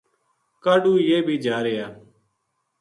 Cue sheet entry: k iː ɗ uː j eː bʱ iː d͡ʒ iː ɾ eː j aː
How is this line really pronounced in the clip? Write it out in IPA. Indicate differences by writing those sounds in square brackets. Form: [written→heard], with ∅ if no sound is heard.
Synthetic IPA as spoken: k [iː→aː] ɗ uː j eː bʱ iː d͡ʒ [iː→aː] ɾ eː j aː